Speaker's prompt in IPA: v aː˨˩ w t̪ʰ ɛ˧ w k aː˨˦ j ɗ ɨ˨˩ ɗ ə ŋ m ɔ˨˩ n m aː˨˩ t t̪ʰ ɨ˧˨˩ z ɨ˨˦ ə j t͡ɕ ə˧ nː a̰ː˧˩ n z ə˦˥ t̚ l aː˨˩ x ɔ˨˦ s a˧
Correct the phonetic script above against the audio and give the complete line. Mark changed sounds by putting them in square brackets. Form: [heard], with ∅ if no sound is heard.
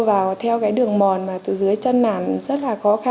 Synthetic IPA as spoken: v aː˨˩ w t̪ʰ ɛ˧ w k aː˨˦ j ɗ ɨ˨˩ [∅] ə ŋ m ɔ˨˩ n m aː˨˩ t [t̪] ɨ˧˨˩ z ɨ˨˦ ə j t͡ɕ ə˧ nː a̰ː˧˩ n z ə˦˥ t̚ l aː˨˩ x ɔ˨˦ [x] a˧